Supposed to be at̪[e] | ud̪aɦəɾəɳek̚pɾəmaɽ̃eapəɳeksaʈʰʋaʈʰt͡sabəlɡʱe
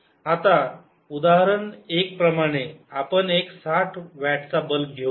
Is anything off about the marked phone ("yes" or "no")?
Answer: yes